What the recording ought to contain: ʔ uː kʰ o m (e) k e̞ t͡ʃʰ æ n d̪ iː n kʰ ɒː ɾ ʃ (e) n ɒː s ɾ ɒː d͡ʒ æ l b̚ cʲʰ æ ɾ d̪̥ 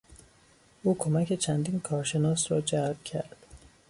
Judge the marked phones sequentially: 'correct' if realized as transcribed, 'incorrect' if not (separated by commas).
incorrect, correct